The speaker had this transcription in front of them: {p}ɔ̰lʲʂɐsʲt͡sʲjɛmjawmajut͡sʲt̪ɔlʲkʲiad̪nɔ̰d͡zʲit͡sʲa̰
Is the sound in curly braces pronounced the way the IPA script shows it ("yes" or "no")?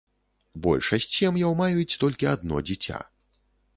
no